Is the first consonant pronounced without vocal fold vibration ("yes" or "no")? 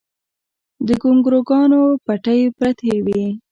no